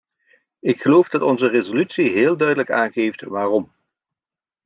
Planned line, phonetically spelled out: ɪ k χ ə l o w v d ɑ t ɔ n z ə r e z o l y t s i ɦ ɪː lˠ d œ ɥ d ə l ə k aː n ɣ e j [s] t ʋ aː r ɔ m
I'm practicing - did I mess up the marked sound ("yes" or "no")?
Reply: yes